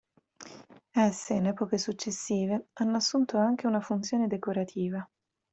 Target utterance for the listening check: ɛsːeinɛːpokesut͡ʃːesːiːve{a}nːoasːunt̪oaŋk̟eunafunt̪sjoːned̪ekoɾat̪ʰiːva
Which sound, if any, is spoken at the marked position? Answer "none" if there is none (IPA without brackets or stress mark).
a